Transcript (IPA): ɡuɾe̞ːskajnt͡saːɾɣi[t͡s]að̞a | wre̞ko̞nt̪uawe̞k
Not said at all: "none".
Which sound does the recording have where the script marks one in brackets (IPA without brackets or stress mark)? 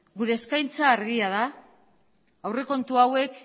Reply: none